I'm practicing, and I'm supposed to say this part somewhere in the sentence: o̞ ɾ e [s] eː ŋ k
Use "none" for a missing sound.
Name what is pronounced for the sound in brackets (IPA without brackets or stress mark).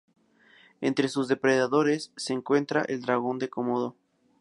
sː